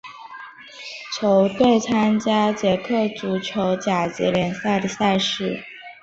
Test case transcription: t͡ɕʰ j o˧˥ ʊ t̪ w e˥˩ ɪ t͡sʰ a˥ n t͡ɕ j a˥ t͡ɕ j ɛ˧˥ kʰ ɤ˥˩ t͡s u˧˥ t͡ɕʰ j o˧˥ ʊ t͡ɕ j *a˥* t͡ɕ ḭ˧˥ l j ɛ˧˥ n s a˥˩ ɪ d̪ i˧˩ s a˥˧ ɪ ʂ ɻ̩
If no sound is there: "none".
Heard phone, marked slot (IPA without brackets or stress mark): a˨˩